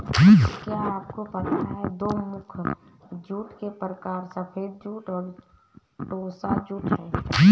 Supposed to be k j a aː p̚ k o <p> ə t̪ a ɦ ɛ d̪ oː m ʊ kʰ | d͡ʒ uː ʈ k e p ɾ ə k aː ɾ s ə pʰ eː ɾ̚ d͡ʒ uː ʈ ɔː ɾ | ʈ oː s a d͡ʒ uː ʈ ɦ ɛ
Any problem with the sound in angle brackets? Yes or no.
no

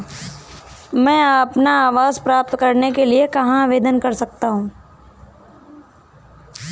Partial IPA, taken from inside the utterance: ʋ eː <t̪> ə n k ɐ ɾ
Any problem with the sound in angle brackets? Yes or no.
yes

